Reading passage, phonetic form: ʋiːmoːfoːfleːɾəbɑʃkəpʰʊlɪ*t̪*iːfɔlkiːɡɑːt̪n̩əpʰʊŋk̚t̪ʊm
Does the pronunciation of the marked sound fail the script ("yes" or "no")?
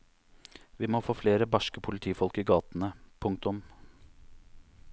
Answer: yes